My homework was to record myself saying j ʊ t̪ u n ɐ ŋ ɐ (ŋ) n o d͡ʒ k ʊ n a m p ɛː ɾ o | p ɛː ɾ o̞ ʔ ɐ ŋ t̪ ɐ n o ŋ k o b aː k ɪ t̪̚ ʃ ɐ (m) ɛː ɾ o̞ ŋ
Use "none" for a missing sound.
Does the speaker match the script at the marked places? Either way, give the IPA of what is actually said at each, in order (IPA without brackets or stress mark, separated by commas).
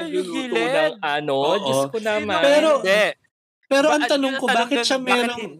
none, m